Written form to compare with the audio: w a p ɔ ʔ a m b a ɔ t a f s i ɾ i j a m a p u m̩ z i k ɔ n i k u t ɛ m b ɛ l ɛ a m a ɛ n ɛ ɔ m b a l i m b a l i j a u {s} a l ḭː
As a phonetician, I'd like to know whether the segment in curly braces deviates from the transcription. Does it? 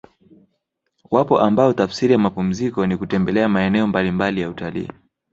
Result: yes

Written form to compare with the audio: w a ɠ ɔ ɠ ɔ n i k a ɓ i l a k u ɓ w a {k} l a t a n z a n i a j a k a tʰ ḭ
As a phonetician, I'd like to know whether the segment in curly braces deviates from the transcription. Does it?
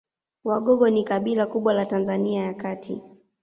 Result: yes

